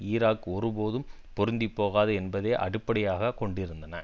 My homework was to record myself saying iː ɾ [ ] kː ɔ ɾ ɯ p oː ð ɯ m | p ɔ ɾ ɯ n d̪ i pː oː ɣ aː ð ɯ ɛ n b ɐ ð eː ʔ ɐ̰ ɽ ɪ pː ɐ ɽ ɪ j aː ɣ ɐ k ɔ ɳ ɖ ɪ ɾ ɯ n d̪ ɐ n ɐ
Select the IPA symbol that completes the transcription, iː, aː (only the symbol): aː